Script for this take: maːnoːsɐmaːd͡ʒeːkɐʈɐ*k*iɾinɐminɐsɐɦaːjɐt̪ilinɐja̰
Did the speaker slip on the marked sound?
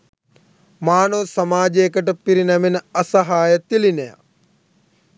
yes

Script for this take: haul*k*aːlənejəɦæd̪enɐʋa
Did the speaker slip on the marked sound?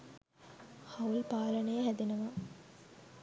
yes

